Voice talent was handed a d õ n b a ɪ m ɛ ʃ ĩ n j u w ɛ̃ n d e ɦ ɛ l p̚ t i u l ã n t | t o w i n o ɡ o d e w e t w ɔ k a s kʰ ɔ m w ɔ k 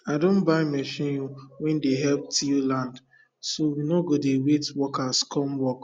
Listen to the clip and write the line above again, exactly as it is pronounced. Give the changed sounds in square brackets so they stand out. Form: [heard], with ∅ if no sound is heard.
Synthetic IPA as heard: a d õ n b a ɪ m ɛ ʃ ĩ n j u w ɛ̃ n d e ɦ ɛ l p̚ t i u l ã n [d] | [s] o w i n o ɡ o d e w e t w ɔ k a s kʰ ɔ m w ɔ k